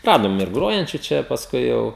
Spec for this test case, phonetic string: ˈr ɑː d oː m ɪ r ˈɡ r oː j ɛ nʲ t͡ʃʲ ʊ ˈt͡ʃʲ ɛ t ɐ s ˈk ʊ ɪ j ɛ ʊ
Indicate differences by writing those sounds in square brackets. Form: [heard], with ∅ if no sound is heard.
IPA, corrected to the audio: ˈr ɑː d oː m ɪ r ˈɡ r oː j ɛ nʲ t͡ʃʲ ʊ ˈt͡ʃʲ ɛ [p] ɐ s ˈk ʊ ɪ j ɛ ʊ